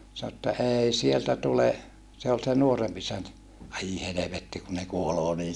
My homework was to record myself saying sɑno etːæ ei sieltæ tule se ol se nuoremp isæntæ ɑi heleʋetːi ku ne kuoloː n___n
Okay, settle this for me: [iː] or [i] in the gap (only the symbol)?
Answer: iː